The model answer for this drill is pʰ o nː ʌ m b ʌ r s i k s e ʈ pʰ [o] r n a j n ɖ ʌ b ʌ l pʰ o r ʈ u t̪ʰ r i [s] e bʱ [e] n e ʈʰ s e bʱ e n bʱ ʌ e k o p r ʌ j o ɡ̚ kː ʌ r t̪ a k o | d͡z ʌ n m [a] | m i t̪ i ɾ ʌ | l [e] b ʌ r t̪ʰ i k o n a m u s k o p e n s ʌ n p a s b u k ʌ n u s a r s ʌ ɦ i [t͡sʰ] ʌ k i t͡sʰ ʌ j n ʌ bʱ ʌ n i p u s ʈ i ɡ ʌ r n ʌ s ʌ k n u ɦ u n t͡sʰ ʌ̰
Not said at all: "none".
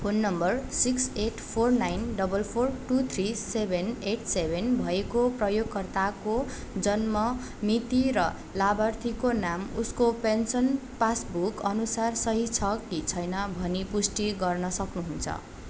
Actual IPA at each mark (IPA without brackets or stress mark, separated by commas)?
o, s, e, ʌ, a, t͡sʰ